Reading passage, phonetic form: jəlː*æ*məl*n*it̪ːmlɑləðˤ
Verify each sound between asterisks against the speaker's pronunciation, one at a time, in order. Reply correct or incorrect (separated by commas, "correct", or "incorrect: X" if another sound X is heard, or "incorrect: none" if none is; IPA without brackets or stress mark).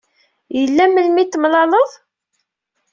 correct, incorrect: m